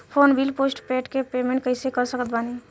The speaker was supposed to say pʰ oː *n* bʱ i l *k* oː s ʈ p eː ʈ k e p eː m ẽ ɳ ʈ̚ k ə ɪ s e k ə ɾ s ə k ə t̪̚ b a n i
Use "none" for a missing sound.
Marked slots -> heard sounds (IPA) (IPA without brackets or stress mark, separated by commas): n, p